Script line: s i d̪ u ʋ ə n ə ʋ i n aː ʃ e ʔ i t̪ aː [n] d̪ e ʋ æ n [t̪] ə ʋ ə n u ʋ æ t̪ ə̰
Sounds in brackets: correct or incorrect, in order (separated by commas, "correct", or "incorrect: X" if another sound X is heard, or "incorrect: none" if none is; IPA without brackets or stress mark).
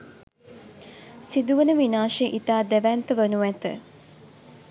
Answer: incorrect: none, correct